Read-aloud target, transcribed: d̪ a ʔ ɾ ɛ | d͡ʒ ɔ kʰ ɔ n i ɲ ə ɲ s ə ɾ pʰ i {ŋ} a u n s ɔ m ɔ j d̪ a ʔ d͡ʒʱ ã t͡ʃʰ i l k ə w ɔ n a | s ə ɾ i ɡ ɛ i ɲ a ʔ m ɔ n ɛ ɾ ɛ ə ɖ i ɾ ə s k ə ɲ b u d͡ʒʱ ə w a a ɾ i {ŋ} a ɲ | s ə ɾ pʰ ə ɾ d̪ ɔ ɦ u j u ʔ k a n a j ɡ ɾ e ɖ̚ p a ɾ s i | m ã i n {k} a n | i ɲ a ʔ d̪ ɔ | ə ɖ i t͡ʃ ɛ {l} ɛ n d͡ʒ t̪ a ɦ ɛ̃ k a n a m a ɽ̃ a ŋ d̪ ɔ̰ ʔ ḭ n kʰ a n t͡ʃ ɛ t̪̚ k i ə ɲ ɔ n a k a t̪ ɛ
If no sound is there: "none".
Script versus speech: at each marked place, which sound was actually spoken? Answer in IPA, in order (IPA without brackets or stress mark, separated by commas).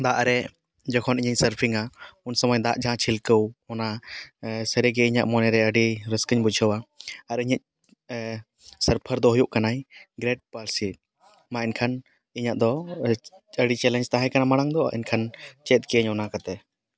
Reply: ŋ, ɲ, kʰ, l